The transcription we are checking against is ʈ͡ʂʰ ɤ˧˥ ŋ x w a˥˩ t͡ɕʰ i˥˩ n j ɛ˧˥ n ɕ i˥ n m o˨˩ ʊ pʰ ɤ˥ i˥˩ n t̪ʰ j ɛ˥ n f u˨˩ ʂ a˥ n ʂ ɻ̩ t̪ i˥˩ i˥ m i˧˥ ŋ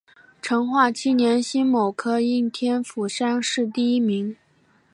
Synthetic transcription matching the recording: ʈ͡ʂʰ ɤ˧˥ ŋ x w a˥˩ t͡ɕʰ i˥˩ n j ɛ˧˥ n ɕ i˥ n m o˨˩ ʊ kʰ ɤ˥ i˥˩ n t̪ʰ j ɛ˥ n f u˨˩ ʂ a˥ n ʂ ɻ̩ t̪ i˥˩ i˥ m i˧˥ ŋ